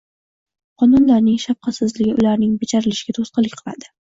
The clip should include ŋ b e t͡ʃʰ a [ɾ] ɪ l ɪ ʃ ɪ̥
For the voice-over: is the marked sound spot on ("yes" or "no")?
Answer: yes